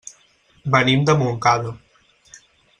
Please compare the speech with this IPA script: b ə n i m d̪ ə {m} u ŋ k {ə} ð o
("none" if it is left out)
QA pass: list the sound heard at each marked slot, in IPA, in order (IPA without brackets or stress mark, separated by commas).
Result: m, a